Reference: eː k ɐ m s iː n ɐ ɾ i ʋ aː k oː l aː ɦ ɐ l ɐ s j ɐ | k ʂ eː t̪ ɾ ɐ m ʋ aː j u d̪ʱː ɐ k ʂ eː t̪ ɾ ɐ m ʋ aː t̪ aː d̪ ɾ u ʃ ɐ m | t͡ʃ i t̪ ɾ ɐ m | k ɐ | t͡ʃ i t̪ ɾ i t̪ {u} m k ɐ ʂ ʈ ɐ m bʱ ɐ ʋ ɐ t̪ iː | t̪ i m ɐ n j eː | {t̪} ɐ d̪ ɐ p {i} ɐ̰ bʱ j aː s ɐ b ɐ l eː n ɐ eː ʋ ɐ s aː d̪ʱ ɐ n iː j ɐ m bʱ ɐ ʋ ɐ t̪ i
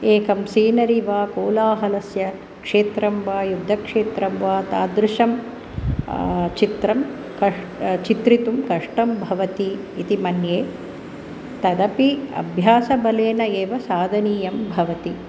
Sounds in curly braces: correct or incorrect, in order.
correct, correct, correct

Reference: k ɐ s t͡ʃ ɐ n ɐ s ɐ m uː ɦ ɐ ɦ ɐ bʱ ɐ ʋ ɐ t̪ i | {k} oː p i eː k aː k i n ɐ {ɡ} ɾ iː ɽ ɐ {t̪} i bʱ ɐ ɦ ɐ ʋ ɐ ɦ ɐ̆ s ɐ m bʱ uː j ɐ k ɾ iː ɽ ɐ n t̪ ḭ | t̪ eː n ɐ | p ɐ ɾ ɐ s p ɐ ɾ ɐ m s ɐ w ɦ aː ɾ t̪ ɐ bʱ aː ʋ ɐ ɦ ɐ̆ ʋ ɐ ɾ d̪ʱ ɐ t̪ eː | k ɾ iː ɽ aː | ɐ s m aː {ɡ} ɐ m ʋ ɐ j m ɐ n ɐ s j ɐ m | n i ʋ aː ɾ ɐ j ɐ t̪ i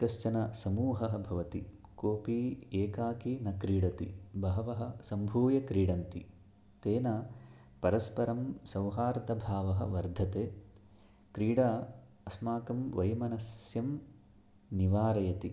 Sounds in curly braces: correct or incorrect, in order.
correct, incorrect, correct, incorrect

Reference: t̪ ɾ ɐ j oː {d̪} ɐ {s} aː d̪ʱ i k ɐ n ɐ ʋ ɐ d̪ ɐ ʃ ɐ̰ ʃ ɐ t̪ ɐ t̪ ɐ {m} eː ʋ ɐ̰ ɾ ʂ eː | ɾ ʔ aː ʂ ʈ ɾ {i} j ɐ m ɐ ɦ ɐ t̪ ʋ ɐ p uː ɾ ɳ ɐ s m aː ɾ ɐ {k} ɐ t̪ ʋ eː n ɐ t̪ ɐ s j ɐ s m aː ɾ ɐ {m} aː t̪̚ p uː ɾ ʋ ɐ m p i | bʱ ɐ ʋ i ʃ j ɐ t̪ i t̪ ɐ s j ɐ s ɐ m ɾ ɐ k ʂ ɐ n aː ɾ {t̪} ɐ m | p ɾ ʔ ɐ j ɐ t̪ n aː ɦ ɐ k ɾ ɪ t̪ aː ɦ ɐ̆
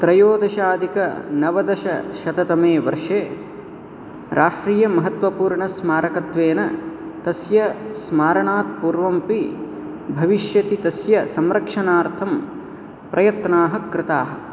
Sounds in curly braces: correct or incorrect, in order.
correct, incorrect, correct, incorrect, correct, incorrect, incorrect

